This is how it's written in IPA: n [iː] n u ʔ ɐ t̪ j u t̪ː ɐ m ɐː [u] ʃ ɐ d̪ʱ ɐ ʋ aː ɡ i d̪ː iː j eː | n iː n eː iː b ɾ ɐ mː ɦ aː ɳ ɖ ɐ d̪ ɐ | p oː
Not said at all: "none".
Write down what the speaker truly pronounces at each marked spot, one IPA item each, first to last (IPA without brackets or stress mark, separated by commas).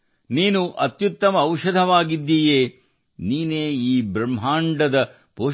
iː, w